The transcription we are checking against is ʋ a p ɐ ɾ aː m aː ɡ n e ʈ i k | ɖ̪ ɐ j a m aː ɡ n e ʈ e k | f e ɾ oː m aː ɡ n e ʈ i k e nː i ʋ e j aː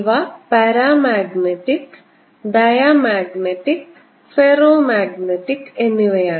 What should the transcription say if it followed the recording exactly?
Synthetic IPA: ʋ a p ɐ ɾ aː m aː ɡ n e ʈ i k | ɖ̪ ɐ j a m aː ɡ n e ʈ i k | f e ɾ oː m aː ɡ n e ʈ i k e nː i ʋ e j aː